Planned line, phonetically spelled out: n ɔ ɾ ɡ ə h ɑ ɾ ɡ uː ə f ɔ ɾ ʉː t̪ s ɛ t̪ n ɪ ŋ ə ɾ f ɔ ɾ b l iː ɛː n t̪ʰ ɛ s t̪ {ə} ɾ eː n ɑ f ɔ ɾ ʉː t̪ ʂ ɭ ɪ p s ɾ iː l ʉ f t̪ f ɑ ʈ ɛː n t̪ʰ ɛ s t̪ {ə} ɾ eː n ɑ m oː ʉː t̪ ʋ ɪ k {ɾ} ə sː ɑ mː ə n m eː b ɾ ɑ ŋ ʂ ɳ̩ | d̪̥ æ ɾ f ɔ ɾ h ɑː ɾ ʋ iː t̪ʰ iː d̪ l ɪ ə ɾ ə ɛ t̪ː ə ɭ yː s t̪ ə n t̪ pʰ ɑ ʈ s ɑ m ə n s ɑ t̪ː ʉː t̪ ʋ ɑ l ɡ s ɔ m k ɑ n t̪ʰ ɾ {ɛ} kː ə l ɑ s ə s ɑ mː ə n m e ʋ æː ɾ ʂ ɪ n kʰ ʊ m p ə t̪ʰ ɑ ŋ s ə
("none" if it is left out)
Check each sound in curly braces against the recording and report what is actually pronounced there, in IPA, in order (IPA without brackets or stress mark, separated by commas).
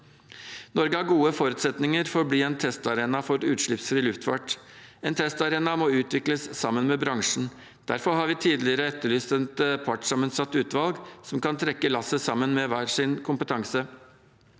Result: ɑ, ɑ, l, ɛ